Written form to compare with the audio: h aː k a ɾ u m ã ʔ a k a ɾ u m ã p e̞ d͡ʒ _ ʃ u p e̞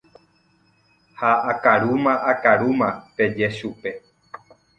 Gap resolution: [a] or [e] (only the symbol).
e